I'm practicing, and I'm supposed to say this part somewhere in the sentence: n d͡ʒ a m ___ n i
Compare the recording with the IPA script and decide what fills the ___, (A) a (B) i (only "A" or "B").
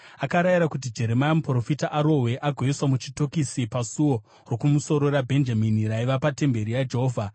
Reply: B